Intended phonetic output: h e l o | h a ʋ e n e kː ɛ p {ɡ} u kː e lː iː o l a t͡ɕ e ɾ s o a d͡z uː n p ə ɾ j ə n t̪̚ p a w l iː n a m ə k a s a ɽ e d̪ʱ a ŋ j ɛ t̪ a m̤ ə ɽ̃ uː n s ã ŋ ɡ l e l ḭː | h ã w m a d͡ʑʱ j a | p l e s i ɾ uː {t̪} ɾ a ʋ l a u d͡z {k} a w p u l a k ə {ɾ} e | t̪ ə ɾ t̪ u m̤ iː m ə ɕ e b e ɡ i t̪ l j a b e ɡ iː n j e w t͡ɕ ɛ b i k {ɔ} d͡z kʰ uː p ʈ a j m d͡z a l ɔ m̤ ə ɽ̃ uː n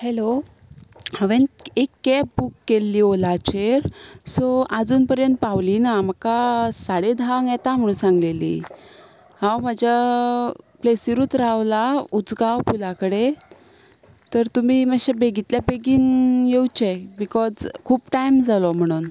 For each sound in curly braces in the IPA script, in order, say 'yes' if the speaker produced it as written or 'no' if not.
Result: no, yes, no, no, yes

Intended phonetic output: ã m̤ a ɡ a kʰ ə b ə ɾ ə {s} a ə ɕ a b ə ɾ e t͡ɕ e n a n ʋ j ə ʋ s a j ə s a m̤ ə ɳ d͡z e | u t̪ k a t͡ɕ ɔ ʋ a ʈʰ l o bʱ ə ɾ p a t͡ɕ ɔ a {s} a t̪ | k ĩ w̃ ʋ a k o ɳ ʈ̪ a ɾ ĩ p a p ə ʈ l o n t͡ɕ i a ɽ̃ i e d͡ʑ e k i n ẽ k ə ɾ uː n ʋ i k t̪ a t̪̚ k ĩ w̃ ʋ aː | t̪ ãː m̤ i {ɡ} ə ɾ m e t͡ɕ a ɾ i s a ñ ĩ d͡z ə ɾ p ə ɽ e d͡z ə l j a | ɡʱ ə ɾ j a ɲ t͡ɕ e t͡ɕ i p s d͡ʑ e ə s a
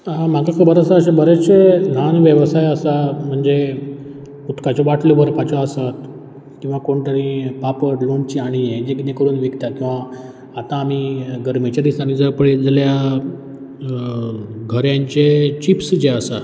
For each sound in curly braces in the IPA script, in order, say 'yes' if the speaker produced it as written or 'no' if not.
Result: yes, yes, yes

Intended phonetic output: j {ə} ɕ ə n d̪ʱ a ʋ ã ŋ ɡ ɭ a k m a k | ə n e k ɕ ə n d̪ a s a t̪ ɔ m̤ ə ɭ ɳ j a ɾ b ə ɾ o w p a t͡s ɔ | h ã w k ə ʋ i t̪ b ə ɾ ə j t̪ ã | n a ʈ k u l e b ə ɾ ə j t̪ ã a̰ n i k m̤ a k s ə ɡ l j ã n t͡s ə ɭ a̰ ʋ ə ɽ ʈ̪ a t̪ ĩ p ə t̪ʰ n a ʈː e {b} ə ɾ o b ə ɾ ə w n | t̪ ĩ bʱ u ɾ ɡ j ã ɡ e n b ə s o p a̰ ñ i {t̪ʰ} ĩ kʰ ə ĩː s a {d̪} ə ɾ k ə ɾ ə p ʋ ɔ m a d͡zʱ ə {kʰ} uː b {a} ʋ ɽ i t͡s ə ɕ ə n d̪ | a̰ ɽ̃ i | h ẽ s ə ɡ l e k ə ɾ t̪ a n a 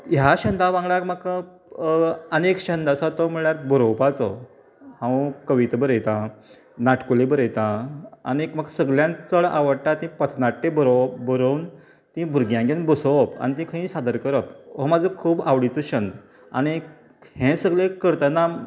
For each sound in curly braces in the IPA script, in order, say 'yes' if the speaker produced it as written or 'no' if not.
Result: no, yes, no, yes, yes, yes

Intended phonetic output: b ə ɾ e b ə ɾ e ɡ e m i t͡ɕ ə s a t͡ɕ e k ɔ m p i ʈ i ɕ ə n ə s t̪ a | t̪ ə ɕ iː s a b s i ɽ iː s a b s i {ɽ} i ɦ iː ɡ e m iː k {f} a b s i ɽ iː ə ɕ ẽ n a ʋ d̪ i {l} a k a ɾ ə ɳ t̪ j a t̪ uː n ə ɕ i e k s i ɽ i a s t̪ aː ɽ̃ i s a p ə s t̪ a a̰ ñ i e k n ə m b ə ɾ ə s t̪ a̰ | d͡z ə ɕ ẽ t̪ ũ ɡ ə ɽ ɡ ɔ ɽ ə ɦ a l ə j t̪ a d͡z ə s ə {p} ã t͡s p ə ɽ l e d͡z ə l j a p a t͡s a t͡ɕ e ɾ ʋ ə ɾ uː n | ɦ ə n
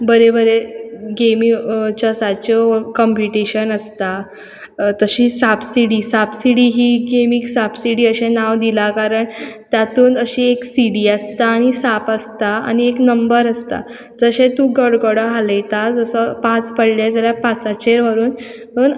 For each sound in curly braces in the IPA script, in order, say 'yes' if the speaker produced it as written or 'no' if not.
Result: yes, no, yes, yes

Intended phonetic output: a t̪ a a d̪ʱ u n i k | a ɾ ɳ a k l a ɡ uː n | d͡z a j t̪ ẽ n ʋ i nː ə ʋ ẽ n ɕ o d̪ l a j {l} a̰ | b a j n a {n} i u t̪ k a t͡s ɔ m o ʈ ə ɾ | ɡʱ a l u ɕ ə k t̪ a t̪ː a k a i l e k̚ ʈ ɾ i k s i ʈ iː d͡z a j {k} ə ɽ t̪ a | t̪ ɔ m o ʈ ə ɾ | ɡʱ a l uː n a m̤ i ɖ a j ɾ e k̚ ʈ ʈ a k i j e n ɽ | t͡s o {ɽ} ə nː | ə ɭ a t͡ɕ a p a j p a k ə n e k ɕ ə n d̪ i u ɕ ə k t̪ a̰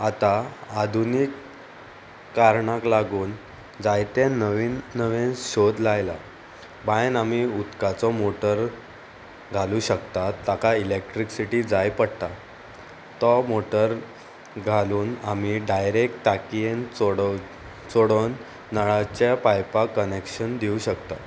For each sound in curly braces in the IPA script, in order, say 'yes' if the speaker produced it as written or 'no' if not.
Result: yes, no, no, yes

